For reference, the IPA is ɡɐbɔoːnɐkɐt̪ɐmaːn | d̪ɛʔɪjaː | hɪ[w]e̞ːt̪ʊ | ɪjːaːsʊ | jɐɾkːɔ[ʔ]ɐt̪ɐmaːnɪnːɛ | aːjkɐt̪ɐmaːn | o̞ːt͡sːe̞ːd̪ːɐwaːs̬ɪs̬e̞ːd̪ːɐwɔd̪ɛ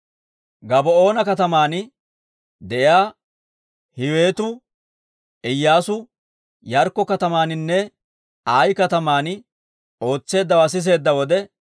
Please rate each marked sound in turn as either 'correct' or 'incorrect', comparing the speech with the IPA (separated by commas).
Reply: correct, incorrect